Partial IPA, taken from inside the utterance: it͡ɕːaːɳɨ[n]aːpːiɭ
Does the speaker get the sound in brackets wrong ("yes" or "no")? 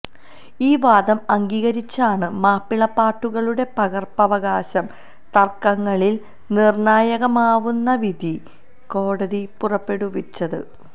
yes